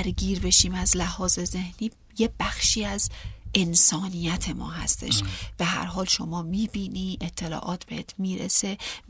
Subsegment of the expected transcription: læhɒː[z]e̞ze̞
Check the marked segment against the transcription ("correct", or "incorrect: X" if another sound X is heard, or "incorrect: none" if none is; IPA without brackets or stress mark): correct